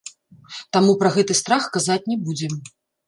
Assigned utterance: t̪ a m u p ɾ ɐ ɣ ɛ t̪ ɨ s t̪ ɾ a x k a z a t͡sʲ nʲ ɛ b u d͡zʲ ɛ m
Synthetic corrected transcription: t̪ a m u p ɾ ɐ ɣ ɛ t̪ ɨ s t̪ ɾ a x k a z a t͡sʲ nʲ ɛ b u d͡zʲ ɛ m